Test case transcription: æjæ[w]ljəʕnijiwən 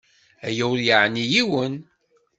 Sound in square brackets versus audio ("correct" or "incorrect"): correct